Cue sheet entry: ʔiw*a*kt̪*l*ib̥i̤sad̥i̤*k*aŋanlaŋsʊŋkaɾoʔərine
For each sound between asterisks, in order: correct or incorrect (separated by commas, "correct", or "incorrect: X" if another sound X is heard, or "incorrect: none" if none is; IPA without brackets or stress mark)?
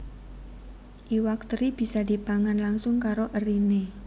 correct, incorrect: ɾ, incorrect: p